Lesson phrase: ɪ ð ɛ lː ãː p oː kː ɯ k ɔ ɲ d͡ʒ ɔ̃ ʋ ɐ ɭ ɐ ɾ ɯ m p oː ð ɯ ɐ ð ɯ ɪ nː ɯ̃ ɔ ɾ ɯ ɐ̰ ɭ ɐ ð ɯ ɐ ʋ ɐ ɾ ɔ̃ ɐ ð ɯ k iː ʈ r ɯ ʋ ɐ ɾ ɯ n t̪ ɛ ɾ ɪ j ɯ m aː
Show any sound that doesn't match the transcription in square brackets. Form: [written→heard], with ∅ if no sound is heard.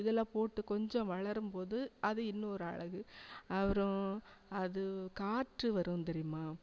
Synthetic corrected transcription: ɪ ð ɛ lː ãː p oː [kː→ʈː] ɯ k ɔ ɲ d͡ʒ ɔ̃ ʋ ɐ ɭ ɐ ɾ ɯ m p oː ð ɯ ɐ ð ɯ ɪ nː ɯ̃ ɔ ɾ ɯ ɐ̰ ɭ ɐ [ð→ɣ] ɯ ɐ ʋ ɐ ɾ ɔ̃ ɐ ð ɯ k [iː→aː] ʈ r ɯ ʋ ɐ ɾ ɯ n t̪ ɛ ɾ ɪ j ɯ m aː